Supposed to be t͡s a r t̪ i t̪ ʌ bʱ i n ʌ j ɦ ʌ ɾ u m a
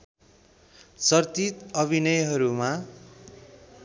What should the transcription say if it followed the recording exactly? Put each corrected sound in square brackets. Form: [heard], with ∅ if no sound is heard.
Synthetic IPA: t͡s [ʌ] r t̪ i t̪ ʌ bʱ i n ʌ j ɦ ʌ ɾ u m a

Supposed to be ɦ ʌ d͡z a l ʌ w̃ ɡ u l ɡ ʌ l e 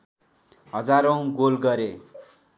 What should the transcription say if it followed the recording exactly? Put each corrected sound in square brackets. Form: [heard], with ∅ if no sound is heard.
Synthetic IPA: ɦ ʌ d͡z a [ɾ] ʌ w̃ ɡ [o] l ɡ ʌ [ɾ] e

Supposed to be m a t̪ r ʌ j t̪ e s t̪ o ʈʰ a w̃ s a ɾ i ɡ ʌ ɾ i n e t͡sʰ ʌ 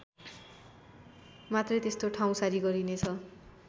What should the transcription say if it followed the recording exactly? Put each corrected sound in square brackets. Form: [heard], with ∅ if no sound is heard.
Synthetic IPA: m a t̪ r ʌ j t̪ e s t̪ o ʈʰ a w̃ s a ɾ i ɡ ʌ ɾ i n e t͡sʰ ʌ

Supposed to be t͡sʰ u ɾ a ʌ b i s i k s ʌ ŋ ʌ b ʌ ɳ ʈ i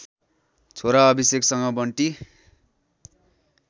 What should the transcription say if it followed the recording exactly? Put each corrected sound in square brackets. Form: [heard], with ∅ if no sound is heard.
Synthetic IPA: t͡sʰ [o] ɾ a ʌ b i s [e] k s ʌ ŋ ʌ b ʌ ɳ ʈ i

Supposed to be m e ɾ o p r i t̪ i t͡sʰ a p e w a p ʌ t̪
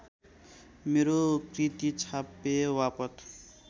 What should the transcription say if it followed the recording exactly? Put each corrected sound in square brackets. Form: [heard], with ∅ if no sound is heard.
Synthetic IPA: m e ɾ o [k] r i t̪ i t͡sʰ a p e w a p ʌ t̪

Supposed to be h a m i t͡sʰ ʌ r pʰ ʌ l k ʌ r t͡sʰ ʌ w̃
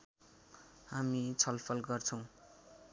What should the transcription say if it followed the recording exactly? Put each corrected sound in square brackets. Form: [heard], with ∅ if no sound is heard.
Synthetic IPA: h a m i t͡sʰ ʌ [l] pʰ ʌ l [ɡ] ʌ r t͡sʰ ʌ w̃

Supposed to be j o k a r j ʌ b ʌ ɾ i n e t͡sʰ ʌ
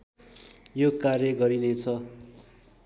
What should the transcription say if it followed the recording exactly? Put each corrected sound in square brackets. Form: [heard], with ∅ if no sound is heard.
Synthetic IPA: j o k a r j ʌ [ɡ] ʌ ɾ i n e t͡sʰ ʌ

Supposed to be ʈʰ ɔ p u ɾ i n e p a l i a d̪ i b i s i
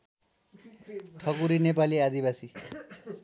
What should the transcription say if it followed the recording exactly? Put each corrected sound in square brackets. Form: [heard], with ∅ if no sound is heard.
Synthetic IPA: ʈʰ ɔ [k] u ɾ i n e p a l i a d̪ i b [a] s i

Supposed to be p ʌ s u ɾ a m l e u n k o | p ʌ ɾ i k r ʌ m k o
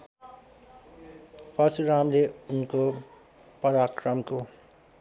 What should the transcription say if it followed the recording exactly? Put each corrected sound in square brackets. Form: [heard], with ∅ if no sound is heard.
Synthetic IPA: p ʌ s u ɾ a m l e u n k o | p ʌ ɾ [a] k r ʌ m k o

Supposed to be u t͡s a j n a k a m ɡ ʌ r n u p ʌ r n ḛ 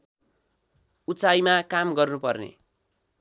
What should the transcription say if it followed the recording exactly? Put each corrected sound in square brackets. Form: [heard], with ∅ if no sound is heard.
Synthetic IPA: u t͡s a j [m] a k a m ɡ ʌ r n u p ʌ r n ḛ

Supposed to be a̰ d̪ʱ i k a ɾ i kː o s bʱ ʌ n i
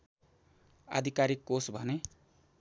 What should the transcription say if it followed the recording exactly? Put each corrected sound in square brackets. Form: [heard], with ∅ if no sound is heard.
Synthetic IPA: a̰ d̪ʱ i k a ɾ i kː o s bʱ ʌ n [e]

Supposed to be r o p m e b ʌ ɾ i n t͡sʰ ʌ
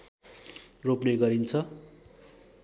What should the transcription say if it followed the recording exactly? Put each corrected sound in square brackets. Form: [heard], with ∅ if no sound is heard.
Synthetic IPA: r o p [n] e [ɡ] ʌ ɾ i n t͡sʰ ʌ

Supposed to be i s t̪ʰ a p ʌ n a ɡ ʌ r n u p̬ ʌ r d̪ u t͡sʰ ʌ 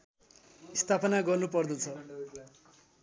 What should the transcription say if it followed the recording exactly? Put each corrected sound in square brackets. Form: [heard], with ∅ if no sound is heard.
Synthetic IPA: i s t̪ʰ a p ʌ n a ɡ ʌ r n u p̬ ʌ r d̪ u t͡sʰ ʌ

